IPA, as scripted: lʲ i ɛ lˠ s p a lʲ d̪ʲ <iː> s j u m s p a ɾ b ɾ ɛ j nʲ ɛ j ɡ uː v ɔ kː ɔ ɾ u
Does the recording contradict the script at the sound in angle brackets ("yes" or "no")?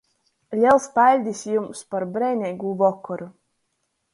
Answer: yes